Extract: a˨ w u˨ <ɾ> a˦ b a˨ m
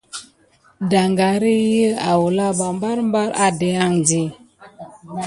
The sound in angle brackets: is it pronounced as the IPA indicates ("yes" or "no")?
no